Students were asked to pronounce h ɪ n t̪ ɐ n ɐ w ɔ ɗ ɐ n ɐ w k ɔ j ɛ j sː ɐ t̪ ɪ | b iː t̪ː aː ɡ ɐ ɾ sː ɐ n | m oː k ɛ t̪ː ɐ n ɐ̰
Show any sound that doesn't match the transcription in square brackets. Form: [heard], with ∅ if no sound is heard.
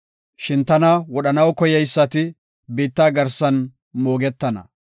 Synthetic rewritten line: [ʃ] ɪ n t̪ ɐ n ɐ w ɔ ɗ ɐ n ɐ w k ɔ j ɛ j sː ɐ t̪ ɪ | b iː t̪ː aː ɡ ɐ ɾ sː ɐ n | m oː [ɡ] ɛ t̪ː ɐ n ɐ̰